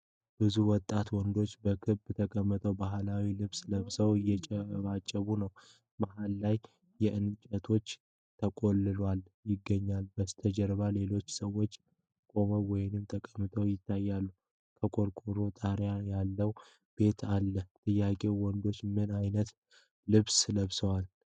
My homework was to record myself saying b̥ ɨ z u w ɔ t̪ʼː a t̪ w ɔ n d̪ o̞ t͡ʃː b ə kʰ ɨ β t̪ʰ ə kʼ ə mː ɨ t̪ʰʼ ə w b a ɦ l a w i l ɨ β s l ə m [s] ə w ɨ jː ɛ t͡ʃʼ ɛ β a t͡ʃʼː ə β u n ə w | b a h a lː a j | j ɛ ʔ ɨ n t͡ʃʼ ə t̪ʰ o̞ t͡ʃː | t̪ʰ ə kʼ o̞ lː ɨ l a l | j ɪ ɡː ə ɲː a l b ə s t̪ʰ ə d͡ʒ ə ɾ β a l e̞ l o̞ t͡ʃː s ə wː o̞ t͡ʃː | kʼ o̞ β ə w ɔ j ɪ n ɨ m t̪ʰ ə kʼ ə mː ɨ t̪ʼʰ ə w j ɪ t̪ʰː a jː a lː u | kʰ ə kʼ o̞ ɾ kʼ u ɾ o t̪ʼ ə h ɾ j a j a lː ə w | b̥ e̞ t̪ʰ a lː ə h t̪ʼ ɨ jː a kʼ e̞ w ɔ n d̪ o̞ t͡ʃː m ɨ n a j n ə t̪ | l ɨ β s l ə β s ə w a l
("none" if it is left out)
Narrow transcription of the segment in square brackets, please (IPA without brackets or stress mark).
s